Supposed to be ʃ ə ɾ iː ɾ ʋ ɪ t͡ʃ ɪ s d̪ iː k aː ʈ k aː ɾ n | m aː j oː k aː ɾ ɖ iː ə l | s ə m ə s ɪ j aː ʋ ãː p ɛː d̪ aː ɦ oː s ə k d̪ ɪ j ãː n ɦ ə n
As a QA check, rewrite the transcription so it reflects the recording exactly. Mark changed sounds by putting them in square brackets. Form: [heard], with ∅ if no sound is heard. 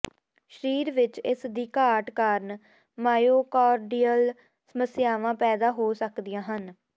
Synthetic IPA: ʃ ə ɾ iː ɾ ʋ ɪ t͡ʃ ɪ s d̪ iː k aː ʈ k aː ɾ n | m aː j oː k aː ɾ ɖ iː ə l | s ə m ə s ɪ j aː ʋ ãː p ɛː d̪ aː ɦ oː s ə k d̪ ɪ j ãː [∅] ɦ ə n

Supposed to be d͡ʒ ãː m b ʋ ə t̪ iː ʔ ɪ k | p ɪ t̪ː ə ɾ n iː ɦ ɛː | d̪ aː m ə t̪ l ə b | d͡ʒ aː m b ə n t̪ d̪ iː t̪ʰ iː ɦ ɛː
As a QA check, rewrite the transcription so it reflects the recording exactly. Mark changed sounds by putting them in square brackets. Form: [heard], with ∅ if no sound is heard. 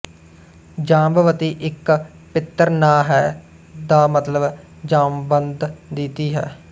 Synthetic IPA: d͡ʒ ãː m b ʋ ə t̪ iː ʔ ɪ k | p ɪ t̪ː ə ɾ n [aː] ɦ ɛː | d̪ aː m ə t̪ l ə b | d͡ʒ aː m b ə n [d̪] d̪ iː [t̪] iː ɦ ɛː

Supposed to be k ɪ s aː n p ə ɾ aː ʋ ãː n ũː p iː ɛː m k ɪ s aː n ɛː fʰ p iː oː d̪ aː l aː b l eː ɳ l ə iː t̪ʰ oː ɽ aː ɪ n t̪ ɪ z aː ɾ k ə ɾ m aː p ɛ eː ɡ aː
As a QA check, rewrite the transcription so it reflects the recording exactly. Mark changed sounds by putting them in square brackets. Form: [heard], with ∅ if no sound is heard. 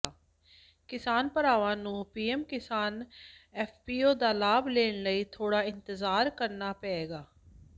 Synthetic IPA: k ɪ s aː n p ə ɾ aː ʋ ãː n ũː p iː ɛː m k ɪ s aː n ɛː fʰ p iː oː d̪ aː l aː b l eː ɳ l ə iː t̪ʰ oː ɽ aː ɪ n t̪ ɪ z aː ɾ k ə ɾ [n] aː p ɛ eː ɡ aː

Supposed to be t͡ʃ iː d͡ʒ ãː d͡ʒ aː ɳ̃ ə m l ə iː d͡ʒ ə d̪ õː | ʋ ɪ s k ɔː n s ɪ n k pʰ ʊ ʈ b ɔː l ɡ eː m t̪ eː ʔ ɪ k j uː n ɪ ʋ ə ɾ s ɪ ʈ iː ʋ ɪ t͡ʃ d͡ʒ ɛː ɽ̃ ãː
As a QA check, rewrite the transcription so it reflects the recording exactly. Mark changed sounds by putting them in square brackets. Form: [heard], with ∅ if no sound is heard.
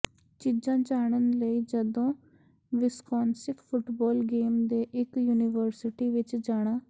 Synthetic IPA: t͡ʃ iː d͡ʒ ãː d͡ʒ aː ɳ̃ ə [n] l ə iː d͡ʒ ə d̪ õː | ʋ ɪ s k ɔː n s ɪ [∅] k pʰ ʊ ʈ b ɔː l ɡ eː m [d̪] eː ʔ ɪ k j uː n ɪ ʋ ə ɾ s ɪ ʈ iː ʋ ɪ t͡ʃ d͡ʒ [aː] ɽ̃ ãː

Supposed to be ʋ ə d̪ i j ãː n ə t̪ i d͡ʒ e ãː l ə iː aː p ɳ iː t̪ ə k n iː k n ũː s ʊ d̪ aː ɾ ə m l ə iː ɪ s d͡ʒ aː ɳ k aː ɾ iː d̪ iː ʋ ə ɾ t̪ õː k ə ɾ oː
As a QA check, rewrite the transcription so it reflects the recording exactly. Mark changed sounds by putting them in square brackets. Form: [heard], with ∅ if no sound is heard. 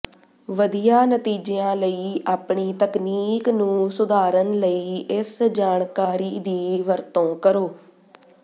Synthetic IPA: ʋ ə d̪ i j [aː] n ə t̪ [iː] d͡ʒ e ãː l ə iː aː p ɳ iː t̪ ə k n iː k n ũː s ʊ d̪ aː ɾ ə [n] l ə iː ɪ s d͡ʒ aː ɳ k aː ɾ iː d̪ iː ʋ ə ɾ t̪ õː k ə ɾ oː

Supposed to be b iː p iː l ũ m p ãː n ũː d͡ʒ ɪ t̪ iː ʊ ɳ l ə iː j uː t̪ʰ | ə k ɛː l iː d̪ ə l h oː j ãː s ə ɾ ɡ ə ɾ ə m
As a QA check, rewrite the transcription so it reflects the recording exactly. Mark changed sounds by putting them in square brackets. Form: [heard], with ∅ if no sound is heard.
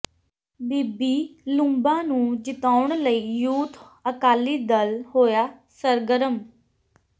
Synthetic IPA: b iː [b] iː l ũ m [b] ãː n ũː d͡ʒ ɪ t̪ [aː] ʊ ɳ l ə iː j uː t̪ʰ | ə k [aː] l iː d̪ ə l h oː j [aː] s ə ɾ ɡ ə ɾ ə m

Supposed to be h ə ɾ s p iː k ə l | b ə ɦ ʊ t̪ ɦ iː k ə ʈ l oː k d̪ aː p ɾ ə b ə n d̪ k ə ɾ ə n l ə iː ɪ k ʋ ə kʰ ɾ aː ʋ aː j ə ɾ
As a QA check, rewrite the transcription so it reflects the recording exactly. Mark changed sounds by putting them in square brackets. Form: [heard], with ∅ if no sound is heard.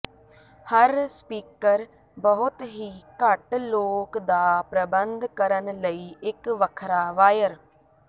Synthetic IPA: h ə ɾ s p iː k ə [ɾ] | b ə ɦ ʊ t̪ ɦ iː k ə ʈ l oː k d̪ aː p ɾ ə b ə n d̪ k ə ɾ ə n l ə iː ɪ k ʋ ə kʰ ɾ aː ʋ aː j ə ɾ

